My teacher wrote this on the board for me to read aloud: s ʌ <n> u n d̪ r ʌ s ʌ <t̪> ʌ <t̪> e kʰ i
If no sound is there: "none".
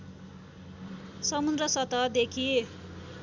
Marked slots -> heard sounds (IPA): m, t̪, d̪

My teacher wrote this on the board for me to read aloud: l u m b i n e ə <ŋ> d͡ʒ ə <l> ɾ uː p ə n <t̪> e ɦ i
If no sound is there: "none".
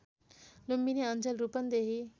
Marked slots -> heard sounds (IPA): n, l, d̪

